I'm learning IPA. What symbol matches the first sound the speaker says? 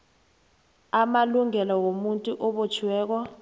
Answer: a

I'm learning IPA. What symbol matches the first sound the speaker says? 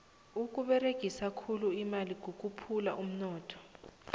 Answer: u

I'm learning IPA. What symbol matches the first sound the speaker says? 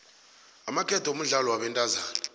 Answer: a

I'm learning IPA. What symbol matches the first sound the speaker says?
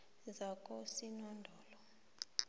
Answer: z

